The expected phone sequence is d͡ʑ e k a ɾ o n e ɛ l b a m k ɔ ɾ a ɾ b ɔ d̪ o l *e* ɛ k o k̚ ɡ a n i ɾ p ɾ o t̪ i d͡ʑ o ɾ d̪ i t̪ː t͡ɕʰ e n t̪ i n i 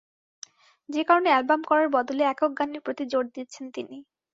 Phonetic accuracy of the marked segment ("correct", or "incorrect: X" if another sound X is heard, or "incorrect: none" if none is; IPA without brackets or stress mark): correct